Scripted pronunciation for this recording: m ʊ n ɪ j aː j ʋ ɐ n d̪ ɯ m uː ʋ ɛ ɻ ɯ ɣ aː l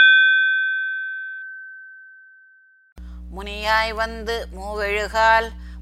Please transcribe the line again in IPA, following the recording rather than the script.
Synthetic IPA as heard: m ʊ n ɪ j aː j ʋ ɐ n d̪ ɯ m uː ʋ ɛ ɻ ɯ ɣ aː l